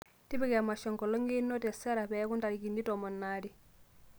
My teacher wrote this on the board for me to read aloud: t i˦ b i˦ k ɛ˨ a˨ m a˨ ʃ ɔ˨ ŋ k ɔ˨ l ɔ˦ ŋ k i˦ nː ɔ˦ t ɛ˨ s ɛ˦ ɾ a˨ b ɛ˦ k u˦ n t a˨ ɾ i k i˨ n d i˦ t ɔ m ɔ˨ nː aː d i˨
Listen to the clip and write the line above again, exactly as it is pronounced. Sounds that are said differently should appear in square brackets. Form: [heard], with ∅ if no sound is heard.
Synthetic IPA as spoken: t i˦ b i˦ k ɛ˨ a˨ m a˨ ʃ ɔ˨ ŋ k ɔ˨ l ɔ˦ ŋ [ɡ] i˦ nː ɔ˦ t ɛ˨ s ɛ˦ ɾ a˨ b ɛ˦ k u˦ n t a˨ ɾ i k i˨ n d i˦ t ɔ m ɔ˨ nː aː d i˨